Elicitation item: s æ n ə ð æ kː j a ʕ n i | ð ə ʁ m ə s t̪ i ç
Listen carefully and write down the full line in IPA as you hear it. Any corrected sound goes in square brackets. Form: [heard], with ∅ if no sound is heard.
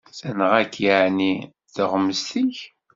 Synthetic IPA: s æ n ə [ʁ] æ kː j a ʕ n i | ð ə ʁ m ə s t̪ i ç